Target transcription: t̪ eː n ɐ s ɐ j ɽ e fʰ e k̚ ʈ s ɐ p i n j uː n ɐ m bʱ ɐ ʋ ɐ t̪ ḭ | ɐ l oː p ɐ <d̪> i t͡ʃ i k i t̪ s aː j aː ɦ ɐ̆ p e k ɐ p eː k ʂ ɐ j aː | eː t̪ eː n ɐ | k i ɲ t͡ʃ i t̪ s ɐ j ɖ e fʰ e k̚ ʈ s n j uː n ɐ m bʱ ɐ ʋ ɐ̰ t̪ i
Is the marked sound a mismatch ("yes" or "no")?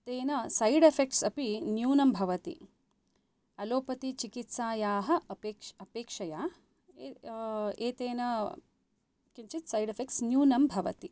yes